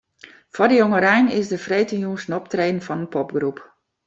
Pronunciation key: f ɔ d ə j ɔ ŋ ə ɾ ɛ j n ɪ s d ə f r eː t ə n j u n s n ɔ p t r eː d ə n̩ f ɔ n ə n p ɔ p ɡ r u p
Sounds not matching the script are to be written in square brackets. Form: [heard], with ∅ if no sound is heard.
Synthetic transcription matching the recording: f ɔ d ə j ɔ ŋ ə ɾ ɛ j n ɪ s d ə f r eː t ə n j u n s n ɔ p t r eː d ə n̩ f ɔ n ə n p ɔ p ɡ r u p

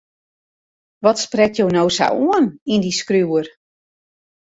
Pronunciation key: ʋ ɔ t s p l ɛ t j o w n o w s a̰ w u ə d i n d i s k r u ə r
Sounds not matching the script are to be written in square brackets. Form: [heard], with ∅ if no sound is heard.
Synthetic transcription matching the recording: ʋ ɔ t s p [r] ɛ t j o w n o w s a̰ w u ə [n] i n d i s k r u ə r

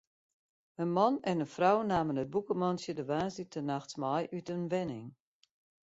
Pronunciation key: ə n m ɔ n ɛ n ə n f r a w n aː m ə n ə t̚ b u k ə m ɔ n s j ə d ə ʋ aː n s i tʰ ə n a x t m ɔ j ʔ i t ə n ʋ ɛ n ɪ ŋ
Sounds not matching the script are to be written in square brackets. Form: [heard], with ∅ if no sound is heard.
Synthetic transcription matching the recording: ə n m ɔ n ɛ n ə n f r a w n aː m ə n ə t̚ b u k ə m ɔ n s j ə d ə ʋ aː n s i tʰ ə n a x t m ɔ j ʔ [y] t ə n ʋ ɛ n ɪ ŋ

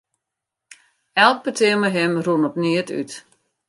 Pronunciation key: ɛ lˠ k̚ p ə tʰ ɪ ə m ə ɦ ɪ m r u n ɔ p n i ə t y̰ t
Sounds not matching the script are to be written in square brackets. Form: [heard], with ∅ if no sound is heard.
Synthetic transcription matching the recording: ɛ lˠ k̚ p ə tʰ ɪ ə m ə ɦ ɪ m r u n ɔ p n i ə t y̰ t

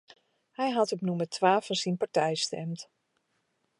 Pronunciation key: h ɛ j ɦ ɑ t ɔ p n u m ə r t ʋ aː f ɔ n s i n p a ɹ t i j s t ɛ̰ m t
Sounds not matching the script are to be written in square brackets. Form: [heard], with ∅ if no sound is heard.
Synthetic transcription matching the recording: h ɛ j ɦ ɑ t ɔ p n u m ə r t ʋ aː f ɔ n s i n p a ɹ t [ɛ] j s t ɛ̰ m t

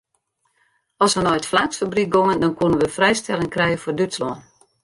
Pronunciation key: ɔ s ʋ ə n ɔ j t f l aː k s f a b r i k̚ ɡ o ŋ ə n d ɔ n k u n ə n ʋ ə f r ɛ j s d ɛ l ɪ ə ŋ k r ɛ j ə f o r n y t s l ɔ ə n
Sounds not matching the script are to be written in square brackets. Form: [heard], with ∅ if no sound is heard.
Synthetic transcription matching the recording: ɔ s ʋ ə n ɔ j t f l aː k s f a b r i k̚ ɡ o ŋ ə n d ɔ n k u n ə n ʋ ə f r ɛ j s [t] ɛ l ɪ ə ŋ k r ɛ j ə f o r [d] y t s l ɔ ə n

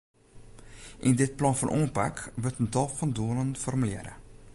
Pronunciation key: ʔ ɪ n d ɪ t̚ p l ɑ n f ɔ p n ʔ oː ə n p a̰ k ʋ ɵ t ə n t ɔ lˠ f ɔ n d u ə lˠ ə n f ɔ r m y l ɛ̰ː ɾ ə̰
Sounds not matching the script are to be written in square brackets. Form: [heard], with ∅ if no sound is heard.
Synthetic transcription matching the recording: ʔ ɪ n d ɪ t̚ p l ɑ n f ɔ [∅] n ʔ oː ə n p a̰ k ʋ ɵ t ə n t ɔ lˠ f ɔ n d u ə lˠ ə n f ɔ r m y l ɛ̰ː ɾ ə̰

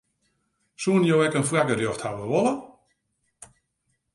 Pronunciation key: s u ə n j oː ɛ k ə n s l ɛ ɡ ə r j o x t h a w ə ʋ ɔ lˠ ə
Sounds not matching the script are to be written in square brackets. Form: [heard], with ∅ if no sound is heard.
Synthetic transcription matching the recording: s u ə n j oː ɛ k ə n [f] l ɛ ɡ ə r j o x t h a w ə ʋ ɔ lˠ ə

